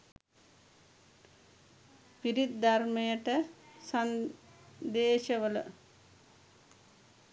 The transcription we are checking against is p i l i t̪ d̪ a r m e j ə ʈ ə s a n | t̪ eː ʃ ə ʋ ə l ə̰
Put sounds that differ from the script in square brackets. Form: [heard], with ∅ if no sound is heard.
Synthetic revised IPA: p i [ɾ] i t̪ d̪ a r m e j ə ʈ ə s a n | [d̪] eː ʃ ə ʋ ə l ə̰